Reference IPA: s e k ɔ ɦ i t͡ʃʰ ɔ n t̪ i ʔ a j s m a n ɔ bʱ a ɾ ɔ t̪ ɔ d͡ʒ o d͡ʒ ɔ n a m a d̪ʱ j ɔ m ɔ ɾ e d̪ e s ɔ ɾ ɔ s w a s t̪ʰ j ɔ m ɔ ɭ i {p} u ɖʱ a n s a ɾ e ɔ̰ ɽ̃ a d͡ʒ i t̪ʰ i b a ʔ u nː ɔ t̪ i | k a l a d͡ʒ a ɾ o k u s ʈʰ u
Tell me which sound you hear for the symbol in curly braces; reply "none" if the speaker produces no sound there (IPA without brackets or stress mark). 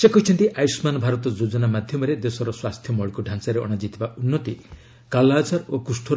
k